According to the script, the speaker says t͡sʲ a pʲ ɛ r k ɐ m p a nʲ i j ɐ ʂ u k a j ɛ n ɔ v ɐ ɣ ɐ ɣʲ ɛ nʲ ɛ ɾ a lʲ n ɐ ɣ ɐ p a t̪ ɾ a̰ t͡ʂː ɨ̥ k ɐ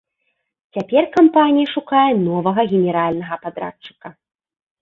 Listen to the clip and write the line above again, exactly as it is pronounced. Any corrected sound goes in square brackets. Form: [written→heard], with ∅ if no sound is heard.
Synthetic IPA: t͡sʲ a pʲ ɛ r k [ɐ→a] m p a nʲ i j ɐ ʂ u k a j ɛ n ɔ v ɐ ɣ ɐ ɣʲ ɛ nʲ ɛ ɾ a lʲ n ɐ ɣ ɐ p a [t̪→d̪] ɾ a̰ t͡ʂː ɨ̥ k ɐ